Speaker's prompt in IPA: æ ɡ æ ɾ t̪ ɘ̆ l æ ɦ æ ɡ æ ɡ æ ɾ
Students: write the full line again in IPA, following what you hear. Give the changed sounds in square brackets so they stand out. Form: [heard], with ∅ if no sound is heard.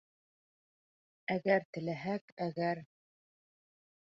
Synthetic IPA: æ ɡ æ ɾ t̪ ɘ̆ l æ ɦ æ [k] æ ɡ æ ɾ